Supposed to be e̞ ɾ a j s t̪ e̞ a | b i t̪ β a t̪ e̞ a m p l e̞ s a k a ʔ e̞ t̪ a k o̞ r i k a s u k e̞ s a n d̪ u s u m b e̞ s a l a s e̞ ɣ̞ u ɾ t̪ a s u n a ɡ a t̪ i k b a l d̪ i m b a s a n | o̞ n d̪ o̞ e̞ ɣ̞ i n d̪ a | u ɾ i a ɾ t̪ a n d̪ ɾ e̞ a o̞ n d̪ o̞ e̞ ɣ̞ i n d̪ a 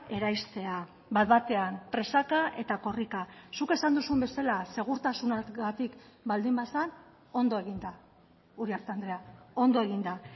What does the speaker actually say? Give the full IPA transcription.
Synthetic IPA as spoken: e̞ ɾ a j s t̪ e̞ a | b a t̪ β a t̪ e̞ a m p ɾ e̞ s a k a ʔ e̞ t̪ a k o̞ r i k a s u k e̞ s a n d̪ u s u m b e̞ s a l a s e̞ ɣ̞ u ɾ t̪ a s u n a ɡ a t̪ i k b a l d̪ i m b a s a n | o̞ n d̪ o̞ e̞ ɣ̞ i n d̪ a | u ɾ i a ɾ t̪ a n d̪ ɾ e̞ a o̞ n d̪ o̞ e̞ ɣ̞ i n d̪ a